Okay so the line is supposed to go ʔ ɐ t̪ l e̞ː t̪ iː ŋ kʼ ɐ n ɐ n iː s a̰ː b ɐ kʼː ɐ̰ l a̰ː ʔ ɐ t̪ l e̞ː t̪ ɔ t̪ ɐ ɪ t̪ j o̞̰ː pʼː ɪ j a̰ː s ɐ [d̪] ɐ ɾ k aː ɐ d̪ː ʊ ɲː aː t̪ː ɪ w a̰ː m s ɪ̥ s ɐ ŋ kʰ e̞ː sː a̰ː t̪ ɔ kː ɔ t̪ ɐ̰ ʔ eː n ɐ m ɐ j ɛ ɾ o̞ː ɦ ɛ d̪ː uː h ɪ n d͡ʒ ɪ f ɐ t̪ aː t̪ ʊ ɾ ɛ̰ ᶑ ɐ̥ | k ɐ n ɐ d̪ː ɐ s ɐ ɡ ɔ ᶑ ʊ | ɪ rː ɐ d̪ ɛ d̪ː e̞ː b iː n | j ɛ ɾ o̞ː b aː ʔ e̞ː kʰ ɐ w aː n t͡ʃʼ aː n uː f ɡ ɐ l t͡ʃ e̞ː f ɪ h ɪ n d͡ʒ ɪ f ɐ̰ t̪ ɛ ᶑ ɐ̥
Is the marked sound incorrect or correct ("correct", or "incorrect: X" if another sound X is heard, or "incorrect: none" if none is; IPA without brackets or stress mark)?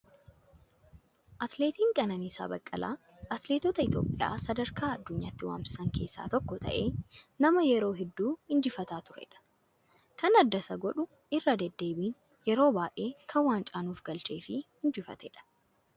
correct